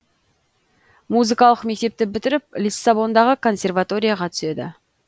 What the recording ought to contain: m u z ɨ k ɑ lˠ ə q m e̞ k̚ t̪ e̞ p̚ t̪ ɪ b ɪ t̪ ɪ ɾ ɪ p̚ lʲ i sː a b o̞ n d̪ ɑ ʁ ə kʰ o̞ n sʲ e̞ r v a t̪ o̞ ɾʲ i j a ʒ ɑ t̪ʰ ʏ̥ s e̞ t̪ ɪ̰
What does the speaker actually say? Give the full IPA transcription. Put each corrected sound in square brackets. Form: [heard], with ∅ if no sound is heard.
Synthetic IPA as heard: m u z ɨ k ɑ lˠ ə q m e̞ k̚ t̪ e̞ p̚ t̪ ɪ b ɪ t̪ ɪ ɾ ɪ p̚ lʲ i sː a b o̞ n d̪ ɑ ʁ ə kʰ o̞ n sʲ e̞ r v a t̪ o̞ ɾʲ i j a [ʁ] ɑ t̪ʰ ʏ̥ s e̞ [d̪] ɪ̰

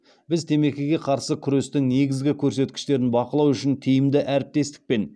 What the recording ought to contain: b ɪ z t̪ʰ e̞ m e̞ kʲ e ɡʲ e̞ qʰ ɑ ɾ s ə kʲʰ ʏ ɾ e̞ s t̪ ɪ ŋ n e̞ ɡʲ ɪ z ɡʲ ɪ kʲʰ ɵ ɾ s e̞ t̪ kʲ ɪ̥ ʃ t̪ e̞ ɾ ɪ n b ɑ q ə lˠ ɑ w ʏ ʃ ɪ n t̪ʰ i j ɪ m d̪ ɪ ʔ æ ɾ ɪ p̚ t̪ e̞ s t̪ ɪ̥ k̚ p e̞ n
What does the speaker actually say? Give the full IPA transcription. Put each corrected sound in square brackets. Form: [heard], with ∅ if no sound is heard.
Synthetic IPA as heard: b ɪ z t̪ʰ e̞ m e̞ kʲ e ɡʲ e̞ qʰ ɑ ɾ s ə kʲʰ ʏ ɾ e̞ s t̪ ɪ ŋ n e̞ ɡʲ ɪ z ɡʲ ɪ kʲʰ ɵ ɾ s e̞ t̪ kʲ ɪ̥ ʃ t̪ e̞ ɾ ɪ n b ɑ q ə lˠ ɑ w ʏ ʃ ɪ n t̪ʰ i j ɪ m d̪ ɪ ʔ æ ɾ ɪ p̚ t̪ e̞ s t̪ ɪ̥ k̚ p e̞ n

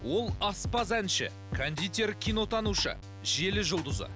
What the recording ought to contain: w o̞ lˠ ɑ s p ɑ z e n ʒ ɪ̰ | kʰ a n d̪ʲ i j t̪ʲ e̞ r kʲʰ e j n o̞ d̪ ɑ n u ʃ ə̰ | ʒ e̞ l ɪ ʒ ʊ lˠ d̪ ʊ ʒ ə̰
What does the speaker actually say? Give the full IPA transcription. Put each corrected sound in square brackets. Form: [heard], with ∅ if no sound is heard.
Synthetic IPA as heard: w o̞ lˠ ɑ s p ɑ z [æ] n [ʃ] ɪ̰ | kʰ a n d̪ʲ i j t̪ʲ e̞ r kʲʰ [i] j n o̞ [t̪] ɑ n u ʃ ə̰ | ʒ e̞ l ɪ ʒ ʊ lˠ d̪ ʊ [z] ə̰

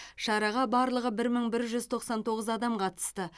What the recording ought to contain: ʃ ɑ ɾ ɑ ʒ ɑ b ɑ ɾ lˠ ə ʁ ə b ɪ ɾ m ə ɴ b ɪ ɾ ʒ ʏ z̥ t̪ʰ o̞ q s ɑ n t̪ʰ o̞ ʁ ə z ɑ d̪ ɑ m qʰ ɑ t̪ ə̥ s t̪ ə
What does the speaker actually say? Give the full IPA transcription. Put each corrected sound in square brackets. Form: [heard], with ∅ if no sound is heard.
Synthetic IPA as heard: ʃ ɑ ɾ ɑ [ʁ] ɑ b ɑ ɾ lˠ ə ʁ ə b ɪ ɾ m ə ɴ b ɪ ɾ ʒ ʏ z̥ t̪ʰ o̞ q s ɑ n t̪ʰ o̞ ʁ ə z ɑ d̪ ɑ m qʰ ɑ t̪ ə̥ s t̪ ə

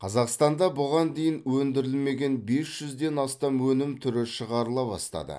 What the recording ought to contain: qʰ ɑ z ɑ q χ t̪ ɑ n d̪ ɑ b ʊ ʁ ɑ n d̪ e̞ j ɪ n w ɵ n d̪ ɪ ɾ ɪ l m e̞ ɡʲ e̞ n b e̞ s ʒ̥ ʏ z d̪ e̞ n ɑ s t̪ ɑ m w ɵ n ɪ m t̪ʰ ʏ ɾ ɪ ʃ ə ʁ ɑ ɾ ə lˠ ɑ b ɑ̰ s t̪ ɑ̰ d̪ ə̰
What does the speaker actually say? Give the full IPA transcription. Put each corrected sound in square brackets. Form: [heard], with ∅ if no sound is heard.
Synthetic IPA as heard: qʰ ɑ z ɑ q [s] t̪ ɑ n d̪ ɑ b ʊ ʁ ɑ n d̪ e̞ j ɪ n w ɵ n d̪ ɪ ɾ ɪ l m e̞ ɡʲ e̞ n b e̞ s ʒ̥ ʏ z d̪ e̞ n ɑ s t̪ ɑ m w ɵ n ɪ m t̪ʰ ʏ ɾ ɪ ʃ ə ʁ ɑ ɾ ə lˠ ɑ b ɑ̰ s t̪ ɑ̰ d̪ ə̰

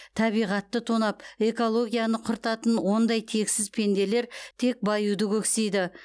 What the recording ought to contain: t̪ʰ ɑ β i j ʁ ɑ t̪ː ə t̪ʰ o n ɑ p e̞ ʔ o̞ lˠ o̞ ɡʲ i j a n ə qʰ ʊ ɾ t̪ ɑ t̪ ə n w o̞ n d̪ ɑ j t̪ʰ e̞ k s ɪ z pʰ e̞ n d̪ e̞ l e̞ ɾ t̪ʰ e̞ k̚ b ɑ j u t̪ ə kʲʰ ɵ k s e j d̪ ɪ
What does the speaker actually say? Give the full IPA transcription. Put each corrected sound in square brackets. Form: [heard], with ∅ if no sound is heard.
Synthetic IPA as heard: t̪ʰ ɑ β i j ʁ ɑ t̪ː ə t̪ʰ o n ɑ p e̞ [k] o̞ lˠ o̞ ɡʲ i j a n ə qʰ ʊ ɾ t̪ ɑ t̪ ə n w o̞ n d̪ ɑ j t̪ʰ e̞ k s ɪ z pʰ e̞ n d̪ e̞ l e̞ ɾ t̪ʰ e̞ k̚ b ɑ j u [d̪] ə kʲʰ ɵ k s e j d̪ ɪ

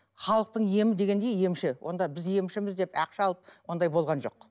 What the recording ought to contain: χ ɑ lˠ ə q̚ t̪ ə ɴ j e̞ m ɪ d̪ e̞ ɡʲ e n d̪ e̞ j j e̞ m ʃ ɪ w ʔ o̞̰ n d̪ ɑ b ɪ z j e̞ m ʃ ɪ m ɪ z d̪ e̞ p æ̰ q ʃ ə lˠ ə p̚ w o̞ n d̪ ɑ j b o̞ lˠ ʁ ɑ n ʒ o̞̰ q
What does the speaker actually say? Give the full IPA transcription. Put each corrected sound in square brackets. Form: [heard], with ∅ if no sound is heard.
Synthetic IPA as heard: χ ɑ lˠ ə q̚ t̪ ə ɴ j e̞ m ɪ d̪ e̞ ɡʲ e n d̪ e̞ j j e̞ m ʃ ɪ w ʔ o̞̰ n d̪ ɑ b ɪ z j e̞ m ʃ ɪ m ɪ z d̪ e̞ p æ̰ q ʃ [ɑ] lˠ ə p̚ w o̞ n d̪ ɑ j b o̞ lˠ ʁ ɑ n ʒ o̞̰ q

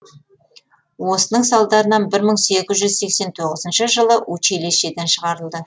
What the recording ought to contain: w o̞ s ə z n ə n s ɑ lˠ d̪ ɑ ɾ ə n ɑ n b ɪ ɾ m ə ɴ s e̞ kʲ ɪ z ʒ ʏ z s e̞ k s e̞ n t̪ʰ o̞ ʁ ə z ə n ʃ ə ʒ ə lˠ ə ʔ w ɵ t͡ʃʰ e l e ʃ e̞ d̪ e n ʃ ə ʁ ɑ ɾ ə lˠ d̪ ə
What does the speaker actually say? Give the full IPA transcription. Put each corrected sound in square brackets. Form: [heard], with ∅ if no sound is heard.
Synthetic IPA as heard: w o̞ s ə [∅] n ə [ɴ] s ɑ lˠ d̪ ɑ ɾ ə n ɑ n b ɪ ɾ m ə ɴ s e̞ kʲ ɪ z ʒ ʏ z s e̞ k s e̞ n t̪ʰ o̞ ʁ ə z ə n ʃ ə ʒ ə lˠ ə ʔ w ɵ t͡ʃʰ e l e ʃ e̞ d̪ e n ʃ ə ʁ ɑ ɾ ə lˠ d̪ ə

